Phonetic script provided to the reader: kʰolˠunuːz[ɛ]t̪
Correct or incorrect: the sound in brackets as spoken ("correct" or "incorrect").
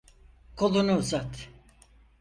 incorrect